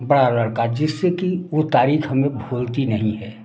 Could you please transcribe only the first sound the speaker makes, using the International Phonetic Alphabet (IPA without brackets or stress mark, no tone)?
b